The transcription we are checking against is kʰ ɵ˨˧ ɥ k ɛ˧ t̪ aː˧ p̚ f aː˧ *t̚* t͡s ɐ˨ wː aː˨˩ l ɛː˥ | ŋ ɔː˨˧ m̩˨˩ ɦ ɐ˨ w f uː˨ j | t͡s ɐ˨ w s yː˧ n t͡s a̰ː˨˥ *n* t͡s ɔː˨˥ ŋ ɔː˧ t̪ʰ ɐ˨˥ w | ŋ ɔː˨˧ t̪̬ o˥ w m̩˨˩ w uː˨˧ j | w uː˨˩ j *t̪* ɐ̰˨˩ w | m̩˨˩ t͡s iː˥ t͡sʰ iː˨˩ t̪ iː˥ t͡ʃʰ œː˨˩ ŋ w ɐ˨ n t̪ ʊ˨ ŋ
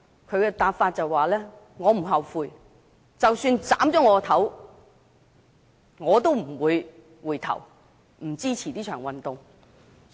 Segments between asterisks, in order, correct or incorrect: correct, incorrect: m, incorrect: t̪ʰ

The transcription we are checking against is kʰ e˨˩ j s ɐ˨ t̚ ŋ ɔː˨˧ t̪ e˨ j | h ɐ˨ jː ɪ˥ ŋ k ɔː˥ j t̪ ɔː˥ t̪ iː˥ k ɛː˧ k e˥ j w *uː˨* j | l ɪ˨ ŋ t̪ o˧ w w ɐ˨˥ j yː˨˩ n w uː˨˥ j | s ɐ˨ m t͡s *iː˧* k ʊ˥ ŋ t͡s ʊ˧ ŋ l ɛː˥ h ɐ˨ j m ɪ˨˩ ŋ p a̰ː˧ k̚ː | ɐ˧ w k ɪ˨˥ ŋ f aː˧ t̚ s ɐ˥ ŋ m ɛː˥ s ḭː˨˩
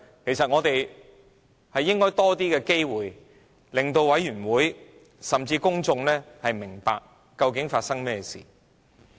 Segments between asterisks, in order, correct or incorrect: correct, correct

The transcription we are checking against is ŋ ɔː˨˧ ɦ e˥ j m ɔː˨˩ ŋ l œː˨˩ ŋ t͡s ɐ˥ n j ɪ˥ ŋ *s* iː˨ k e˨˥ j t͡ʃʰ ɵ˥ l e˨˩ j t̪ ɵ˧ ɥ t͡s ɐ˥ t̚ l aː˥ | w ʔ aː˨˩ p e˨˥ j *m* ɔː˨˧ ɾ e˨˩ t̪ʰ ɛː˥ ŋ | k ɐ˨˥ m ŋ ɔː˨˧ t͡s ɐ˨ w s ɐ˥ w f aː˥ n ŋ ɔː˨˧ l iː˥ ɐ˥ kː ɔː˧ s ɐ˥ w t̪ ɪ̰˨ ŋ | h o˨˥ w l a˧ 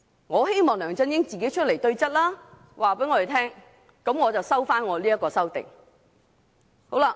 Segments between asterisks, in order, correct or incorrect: incorrect: t͡s, incorrect: ŋ

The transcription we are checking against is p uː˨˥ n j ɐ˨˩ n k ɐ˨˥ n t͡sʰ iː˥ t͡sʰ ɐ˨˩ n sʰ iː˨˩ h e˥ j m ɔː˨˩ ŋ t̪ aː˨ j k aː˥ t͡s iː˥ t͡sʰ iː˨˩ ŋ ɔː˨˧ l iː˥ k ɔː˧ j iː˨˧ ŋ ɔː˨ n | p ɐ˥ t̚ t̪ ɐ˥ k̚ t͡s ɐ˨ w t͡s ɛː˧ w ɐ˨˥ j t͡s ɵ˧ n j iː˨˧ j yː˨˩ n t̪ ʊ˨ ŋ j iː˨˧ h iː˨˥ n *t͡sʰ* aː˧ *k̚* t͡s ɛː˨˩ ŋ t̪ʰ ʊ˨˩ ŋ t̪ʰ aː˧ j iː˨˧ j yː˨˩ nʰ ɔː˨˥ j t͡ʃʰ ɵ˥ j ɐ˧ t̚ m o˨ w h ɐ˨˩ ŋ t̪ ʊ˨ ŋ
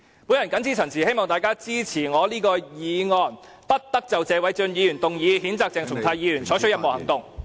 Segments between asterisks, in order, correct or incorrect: incorrect: t͡s, correct

